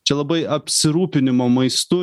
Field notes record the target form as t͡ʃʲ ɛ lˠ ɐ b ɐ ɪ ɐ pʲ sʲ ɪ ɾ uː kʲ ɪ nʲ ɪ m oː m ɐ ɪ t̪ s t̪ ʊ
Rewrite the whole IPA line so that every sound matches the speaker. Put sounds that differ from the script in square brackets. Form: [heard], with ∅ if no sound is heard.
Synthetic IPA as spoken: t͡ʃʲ ɛ lˠ ɐ b ɐ ɪ ɐ pʲ sʲ ɪ ɾ uː [pʲ] ɪ nʲ ɪ m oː m ɐ ɪ [∅] s t̪ ʊ